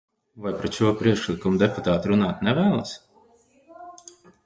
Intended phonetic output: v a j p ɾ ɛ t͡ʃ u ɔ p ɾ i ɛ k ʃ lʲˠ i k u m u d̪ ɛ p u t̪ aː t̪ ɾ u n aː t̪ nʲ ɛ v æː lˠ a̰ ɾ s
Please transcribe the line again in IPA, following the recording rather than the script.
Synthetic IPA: v a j p ɾ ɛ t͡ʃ u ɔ p ɾ i ɛ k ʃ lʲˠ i k u m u d̪ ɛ p u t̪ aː t̪ ɾ u n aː t̪ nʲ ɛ v æː lˠ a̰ s

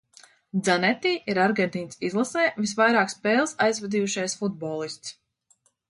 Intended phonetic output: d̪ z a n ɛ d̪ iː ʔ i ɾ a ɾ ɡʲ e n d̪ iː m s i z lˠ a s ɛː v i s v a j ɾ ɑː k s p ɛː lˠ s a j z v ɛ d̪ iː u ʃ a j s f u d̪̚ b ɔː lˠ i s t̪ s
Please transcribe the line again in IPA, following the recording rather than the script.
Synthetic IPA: d̪ z a n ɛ t̪ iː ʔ i ɾ a ɾ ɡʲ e n t̪ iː n s i z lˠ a s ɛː v i s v a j ɾ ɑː k s p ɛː lˠ s a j z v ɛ d̪ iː u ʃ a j s f u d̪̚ b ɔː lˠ i s t̪ s

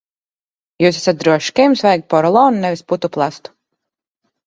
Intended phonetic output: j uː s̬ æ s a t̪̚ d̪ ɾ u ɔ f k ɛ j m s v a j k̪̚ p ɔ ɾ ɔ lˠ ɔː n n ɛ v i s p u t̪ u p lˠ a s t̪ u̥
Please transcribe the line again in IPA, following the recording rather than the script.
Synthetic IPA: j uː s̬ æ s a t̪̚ d̪ ɾ u ɔ ʃ k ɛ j m s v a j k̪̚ p ɔ ɾ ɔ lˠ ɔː n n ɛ v i s p u t̪ u p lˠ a s t̪ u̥

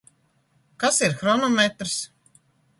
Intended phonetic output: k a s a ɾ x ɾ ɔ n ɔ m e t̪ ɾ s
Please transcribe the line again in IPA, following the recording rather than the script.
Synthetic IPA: k a s i ɾ x ɾ ɔ n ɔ m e t̪ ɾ s

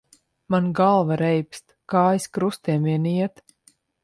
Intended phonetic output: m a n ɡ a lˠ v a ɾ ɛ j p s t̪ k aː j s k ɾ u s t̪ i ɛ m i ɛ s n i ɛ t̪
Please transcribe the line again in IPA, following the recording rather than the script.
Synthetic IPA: m a n ɡ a lˠ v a ɾ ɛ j p s t̪ k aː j s k ɾ u s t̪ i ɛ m i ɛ n i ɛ t̪

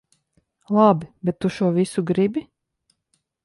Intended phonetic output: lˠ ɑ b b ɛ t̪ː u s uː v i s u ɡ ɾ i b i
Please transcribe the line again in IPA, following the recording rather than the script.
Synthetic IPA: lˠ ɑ b b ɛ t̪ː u ʃ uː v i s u ɡ ɾ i b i

